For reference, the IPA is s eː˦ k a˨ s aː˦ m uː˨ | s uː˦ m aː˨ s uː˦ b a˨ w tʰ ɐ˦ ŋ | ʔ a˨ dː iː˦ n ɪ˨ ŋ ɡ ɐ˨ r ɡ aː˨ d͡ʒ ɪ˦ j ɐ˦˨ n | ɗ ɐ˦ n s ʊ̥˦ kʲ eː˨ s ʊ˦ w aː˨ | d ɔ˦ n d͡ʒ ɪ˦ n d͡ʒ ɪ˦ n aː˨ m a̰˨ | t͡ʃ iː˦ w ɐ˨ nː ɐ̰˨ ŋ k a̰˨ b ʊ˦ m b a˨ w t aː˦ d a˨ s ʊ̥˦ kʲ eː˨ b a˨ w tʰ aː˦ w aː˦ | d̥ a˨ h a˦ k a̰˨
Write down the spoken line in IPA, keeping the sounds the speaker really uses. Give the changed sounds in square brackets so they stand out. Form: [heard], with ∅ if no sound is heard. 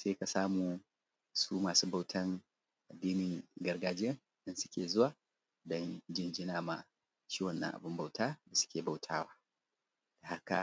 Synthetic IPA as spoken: s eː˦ k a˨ s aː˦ m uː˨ | s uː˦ m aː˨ s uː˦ b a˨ w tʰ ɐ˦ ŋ | ʔ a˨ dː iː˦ n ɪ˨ ŋ ɡ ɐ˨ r ɡ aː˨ d͡ʒ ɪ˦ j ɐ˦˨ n | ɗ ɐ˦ n s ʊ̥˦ kʲ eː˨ [z] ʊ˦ w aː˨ | d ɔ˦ n d͡ʒ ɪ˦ n d͡ʒ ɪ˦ n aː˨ m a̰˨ | t͡ʃ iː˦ w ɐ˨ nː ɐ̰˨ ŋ [ʔ] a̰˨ b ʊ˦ m b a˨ w t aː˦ d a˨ s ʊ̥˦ kʲ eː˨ b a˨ w tʰ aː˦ w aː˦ | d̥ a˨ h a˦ k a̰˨

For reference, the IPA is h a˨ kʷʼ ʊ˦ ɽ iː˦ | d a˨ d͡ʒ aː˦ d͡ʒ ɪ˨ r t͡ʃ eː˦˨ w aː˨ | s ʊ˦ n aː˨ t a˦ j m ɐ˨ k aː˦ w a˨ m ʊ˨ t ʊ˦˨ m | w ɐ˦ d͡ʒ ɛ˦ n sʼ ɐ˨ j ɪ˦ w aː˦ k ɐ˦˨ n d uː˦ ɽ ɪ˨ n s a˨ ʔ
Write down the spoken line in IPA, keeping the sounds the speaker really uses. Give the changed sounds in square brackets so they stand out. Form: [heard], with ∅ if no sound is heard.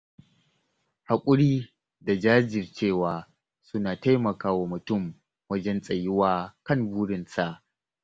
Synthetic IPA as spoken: h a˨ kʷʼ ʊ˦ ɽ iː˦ | d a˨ d͡ʒ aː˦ d͡ʒ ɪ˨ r t͡ʃ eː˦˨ w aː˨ | s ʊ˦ n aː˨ t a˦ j m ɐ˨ k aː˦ w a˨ m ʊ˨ t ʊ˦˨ m | w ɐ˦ d͡ʒ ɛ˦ n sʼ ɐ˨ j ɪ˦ w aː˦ k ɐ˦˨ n [b] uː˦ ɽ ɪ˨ n s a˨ ʔ

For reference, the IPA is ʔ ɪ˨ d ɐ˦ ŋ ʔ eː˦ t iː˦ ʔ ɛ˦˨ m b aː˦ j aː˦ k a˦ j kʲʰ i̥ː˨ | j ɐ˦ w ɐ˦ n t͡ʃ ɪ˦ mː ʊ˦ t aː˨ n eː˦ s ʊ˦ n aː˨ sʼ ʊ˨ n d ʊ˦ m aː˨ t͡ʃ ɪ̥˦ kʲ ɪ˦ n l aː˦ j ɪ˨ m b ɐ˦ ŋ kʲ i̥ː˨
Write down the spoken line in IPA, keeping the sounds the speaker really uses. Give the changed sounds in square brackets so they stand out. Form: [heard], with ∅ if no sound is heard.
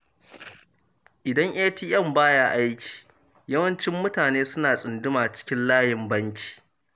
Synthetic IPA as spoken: ʔ ɪ˨ d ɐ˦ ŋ ʔ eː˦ t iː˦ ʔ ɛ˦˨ m b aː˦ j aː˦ [ʔ] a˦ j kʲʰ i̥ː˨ | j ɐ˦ w ɐ˦ n t͡ʃ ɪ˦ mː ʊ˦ t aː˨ n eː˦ s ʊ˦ n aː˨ sʼ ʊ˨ n d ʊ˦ m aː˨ t͡ʃ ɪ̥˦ kʲ ɪ˦ n l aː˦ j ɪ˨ m b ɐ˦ ŋ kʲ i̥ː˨

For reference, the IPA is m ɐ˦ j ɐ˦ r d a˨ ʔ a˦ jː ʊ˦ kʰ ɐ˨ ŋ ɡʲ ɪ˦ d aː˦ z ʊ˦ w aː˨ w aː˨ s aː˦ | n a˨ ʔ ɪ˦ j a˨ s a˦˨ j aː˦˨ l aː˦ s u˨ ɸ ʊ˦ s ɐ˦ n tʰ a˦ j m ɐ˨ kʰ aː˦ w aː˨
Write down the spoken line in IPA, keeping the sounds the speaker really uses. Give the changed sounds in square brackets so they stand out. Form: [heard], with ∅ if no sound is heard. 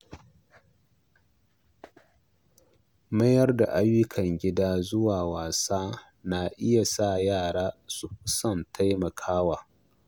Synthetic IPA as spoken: m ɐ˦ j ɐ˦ r d a˨ ʔ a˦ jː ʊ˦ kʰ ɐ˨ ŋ ɡʲ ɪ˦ d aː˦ z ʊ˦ w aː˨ w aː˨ s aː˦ | n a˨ ʔ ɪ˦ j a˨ s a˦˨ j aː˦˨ [ɽ] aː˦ s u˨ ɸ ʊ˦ s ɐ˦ n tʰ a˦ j m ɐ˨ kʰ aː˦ w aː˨

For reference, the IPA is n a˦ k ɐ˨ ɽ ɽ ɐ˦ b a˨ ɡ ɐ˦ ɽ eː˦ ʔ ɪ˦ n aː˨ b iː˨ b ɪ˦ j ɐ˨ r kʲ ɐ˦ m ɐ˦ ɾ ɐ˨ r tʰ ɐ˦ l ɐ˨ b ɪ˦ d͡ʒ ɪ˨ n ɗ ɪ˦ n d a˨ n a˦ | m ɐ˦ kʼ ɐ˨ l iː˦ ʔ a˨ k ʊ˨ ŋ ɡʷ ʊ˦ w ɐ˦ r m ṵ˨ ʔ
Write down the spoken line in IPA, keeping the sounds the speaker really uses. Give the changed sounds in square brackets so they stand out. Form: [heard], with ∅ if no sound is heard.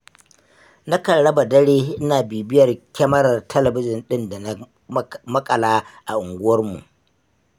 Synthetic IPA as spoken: n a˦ k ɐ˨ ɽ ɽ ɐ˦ b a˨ [d] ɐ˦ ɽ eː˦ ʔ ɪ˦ n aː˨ b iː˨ b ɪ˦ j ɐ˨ r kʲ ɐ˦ m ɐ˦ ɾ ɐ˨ r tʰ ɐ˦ l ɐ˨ b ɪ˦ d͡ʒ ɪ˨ n ɗ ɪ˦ n d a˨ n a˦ | m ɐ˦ kʼ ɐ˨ l [aː˦] ʔ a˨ [ʔ] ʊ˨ ŋ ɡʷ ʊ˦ w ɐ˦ r m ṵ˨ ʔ

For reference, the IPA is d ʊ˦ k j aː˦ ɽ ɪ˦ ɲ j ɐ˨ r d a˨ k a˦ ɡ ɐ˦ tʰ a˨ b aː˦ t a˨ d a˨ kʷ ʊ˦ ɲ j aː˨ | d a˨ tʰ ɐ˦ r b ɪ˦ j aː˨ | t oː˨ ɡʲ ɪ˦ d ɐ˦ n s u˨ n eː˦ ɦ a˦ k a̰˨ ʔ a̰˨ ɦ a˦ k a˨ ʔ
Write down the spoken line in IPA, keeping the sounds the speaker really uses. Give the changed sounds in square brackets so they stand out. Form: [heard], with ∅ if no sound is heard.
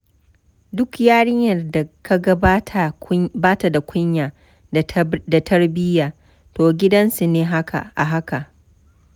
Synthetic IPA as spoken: d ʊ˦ k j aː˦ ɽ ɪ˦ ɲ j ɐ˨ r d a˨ k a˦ ɡ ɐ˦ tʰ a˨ b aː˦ t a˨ d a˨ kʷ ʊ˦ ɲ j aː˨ | d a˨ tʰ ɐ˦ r b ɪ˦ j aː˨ | t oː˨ ɡʲ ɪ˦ d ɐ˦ n s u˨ n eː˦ ɦ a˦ k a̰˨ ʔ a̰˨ ɦ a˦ k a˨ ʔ

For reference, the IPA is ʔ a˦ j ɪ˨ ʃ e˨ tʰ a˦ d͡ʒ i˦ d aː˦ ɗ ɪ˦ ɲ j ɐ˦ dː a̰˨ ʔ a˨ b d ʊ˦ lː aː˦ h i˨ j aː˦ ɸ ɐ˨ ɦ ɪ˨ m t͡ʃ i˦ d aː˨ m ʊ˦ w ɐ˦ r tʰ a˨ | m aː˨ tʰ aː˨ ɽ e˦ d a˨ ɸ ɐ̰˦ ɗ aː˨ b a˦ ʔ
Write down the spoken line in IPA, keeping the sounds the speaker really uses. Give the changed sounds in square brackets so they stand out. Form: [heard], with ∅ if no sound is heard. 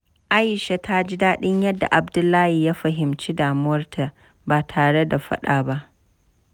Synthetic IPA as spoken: ʔ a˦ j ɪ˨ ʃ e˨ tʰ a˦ d͡ʒ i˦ d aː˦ ɗ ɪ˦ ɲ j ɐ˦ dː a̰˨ ʔ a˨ b d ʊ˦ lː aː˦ h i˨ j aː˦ ɸ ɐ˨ ɦ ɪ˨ m t͡ʃ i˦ d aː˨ m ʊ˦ w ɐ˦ r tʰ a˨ | [b] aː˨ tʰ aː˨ ɽ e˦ d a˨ ɸ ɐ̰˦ ɗ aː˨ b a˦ ʔ

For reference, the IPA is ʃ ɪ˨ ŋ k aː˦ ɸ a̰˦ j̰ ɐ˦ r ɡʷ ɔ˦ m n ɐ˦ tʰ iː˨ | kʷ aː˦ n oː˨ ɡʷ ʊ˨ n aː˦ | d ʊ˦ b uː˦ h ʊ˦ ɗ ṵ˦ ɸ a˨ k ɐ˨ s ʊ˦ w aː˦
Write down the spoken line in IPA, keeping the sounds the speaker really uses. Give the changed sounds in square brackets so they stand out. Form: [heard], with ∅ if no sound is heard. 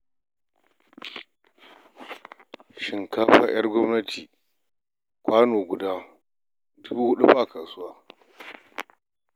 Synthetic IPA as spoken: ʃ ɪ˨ ŋ k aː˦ ɸ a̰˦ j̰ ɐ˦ r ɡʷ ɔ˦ m n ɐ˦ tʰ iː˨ | kʷ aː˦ n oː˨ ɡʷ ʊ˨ [d] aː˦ | d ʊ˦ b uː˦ h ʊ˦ ɗ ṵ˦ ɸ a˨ k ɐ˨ s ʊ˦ w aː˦

